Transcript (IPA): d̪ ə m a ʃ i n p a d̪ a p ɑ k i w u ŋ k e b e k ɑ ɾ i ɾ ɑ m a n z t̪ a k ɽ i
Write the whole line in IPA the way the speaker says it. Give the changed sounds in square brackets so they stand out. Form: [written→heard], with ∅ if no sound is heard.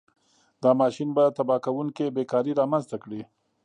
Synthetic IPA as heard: d̪ [ə→ɑ] m [a→ɑ] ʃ i n [p→b] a [d̪→t̪] a [p→b] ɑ k [i→a] w u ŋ k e b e k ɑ ɾ i ɾ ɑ m a n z t̪ a k ɽ i